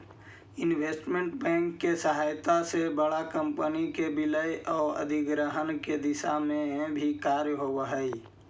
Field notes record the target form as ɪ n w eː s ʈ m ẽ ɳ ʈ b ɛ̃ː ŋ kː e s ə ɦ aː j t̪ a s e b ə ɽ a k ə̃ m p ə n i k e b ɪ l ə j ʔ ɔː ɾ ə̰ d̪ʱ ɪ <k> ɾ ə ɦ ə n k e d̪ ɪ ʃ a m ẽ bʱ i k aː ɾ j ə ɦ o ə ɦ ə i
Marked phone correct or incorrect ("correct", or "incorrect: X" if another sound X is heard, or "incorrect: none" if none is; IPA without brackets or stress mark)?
incorrect: ɡ